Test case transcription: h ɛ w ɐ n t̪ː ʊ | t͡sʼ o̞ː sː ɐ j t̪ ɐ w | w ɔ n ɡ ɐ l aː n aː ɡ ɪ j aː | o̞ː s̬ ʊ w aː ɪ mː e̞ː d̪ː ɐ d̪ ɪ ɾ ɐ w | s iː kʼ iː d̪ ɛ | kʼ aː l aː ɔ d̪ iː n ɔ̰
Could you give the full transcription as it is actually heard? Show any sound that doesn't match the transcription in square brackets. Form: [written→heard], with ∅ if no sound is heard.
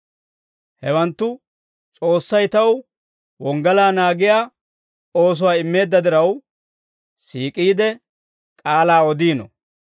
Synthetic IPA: h ɛ w ɐ n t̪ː ʊ | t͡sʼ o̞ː sː ɐ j t̪ ɐ w | w ɔ [n→ŋ] ɡ ɐ l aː n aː ɡ ɪ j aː | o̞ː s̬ ʊ w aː ɪ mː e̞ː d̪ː ɐ d̪ ɪ ɾ ɐ w | s iː kʼ iː d̪ ɛ | kʼ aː l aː ɔ d̪ iː n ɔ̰